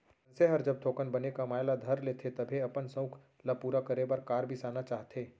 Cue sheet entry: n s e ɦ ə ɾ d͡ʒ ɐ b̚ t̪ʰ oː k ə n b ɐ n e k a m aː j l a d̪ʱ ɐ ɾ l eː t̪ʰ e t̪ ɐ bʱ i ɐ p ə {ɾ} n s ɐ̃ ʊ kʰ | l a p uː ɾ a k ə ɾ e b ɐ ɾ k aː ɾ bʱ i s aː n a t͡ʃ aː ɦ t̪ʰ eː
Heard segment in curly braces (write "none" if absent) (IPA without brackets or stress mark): none